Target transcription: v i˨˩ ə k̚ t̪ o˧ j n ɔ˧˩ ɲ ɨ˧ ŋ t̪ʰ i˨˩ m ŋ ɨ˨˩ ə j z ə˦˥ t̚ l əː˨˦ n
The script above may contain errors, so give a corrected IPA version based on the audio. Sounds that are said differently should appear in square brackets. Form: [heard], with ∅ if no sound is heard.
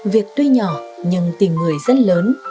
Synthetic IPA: v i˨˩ ə k̚ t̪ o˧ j [ɲ] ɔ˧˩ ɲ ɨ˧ ŋ [t̪] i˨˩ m ŋ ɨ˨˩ ə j z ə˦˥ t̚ l əː˨˦ n